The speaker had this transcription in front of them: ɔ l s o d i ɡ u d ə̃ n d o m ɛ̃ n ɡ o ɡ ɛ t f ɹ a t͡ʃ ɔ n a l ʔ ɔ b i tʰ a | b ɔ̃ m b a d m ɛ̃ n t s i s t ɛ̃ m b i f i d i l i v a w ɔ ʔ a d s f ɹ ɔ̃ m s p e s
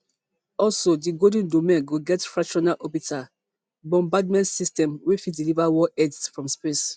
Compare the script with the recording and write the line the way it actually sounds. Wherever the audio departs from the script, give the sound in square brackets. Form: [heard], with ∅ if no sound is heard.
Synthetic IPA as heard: ɔ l s o d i ɡ [o] d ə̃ n d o m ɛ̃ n ɡ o ɡ ɛ t f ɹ a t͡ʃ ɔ n a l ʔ ɔ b i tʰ a | b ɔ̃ m b a d m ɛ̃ n t s i s t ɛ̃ m [w] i f i d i l i v a w ɔ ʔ [ɛ] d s f ɹ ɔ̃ m s p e s